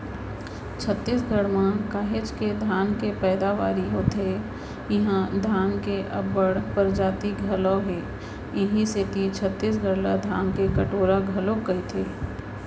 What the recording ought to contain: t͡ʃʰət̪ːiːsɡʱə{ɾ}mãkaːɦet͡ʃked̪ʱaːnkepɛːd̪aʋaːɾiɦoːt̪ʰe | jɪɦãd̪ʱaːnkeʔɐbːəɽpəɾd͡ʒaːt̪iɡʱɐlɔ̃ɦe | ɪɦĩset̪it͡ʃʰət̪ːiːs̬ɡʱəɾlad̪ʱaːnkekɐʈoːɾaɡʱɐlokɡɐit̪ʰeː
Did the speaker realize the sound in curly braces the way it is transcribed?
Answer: no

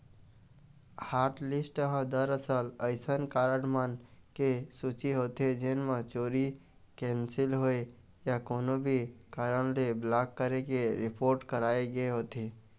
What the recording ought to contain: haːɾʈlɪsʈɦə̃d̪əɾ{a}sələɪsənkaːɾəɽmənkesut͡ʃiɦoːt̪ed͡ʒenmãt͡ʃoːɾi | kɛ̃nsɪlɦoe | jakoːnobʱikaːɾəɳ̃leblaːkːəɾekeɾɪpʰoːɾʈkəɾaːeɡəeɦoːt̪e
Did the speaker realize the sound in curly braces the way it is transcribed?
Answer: no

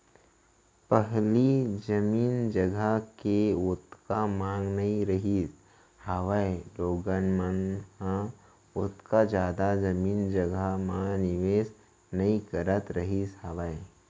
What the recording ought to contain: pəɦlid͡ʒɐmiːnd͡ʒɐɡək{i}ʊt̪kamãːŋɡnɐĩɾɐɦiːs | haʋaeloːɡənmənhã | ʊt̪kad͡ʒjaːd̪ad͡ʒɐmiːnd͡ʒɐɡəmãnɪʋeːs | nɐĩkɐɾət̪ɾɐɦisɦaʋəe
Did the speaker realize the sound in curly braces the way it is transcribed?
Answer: no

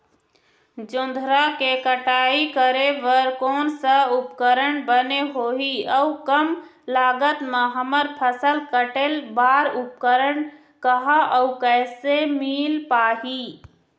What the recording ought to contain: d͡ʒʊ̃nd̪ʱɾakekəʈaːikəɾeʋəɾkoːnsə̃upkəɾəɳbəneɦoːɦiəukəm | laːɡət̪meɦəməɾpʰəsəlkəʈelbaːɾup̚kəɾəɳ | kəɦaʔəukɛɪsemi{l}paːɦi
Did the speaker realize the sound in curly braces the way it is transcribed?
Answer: yes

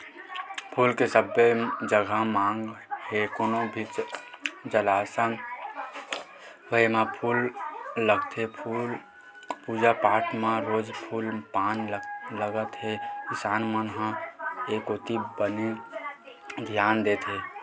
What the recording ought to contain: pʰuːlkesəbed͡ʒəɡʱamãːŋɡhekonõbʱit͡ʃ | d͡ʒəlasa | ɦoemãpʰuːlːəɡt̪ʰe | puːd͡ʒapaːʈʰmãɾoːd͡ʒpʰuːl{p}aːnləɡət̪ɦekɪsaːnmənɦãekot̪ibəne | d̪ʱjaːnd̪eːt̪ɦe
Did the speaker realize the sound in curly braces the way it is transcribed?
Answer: yes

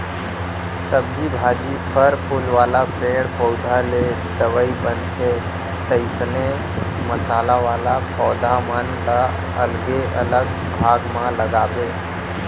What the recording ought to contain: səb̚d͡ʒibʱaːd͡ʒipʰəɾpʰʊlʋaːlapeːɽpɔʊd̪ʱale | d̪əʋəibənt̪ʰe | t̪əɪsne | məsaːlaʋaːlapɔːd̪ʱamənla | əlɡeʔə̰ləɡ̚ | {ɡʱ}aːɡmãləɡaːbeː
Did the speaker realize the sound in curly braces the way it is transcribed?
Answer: no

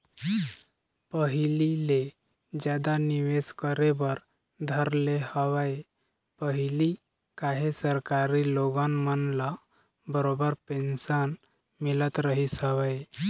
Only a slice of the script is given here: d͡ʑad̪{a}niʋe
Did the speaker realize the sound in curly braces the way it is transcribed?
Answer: yes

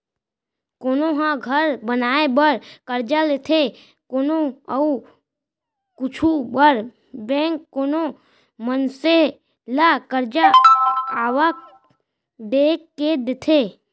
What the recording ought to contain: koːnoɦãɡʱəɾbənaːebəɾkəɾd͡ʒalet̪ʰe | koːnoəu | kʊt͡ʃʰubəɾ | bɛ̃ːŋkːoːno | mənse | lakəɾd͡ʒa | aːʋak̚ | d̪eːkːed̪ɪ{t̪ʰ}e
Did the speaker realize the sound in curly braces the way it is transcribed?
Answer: yes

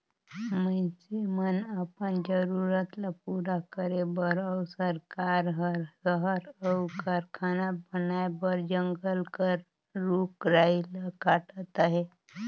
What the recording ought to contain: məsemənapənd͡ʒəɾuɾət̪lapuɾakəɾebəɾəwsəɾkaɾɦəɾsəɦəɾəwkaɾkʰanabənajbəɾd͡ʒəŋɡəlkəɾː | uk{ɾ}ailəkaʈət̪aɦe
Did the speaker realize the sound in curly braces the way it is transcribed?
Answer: yes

